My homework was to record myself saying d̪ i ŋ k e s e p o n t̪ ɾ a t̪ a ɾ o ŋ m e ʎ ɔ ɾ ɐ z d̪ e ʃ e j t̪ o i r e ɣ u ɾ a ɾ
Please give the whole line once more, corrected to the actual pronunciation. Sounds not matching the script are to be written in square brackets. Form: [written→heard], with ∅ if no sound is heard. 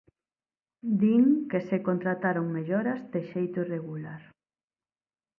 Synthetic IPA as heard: d̪ i ŋ k e s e [p→k] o n t̪ ɾ a t̪ a ɾ o ŋ m e ʎ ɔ ɾ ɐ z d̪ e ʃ e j t̪ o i r e ɣ u [ɾ→l] a ɾ